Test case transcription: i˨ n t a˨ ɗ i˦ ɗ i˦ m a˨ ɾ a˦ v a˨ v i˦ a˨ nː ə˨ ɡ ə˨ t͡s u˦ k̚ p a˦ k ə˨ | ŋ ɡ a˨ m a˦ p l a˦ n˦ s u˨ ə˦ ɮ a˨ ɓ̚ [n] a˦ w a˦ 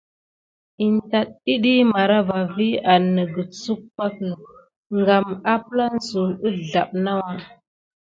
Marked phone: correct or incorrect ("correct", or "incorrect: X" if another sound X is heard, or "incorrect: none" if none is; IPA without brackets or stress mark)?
correct